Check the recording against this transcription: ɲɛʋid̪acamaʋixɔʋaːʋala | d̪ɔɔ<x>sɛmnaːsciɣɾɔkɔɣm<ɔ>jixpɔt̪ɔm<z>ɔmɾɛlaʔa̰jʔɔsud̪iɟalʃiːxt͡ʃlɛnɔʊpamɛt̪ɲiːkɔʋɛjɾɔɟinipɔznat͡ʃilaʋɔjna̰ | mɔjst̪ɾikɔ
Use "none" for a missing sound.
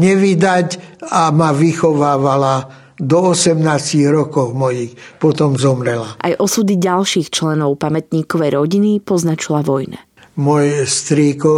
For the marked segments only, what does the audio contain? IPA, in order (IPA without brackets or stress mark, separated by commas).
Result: none, ɔ, z